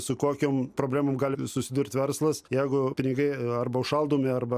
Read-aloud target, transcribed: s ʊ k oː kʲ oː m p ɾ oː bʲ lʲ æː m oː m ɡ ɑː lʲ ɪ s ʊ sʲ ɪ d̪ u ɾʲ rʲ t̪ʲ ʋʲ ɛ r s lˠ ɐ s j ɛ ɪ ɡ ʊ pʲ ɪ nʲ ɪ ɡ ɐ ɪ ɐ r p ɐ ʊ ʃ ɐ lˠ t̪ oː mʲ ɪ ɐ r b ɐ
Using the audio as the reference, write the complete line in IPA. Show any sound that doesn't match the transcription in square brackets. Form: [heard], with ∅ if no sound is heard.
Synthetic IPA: s ʊ k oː kʲ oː m p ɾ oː bʲ lʲ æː m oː m ɡ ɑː lʲ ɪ s ʊ sʲ ɪ d̪ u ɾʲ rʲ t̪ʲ ʋʲ ɛ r s lˠ ɐ s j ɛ ɪ ɡ ʊ pʲ ɪ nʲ ɪ ɡ ɐ ɪ ɐ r [b] ɐ ʊ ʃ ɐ lˠ [d̪] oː mʲ ɪ ɐ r b ɐ